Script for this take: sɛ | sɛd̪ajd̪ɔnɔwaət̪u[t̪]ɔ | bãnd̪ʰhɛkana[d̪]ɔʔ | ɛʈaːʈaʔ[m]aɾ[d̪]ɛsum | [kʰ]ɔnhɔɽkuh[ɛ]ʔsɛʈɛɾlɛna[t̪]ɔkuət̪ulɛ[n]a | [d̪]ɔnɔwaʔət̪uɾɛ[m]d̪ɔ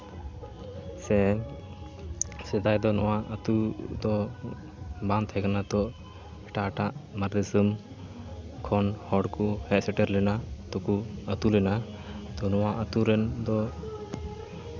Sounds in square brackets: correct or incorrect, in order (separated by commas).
incorrect, incorrect, correct, correct, correct, correct, correct, correct, incorrect, incorrect